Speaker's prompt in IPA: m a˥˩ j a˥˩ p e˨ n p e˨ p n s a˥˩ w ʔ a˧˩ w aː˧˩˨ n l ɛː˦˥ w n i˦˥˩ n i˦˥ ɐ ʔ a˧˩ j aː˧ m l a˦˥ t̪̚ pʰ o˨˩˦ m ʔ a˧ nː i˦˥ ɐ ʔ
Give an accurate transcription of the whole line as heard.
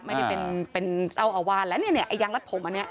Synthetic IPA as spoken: m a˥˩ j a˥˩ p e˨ n p e˨ n s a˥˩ w ʔ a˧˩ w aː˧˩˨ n l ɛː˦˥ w n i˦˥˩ n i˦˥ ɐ ʔ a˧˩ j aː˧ ŋ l a˦˥ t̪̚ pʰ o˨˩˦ m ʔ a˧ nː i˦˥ ɐ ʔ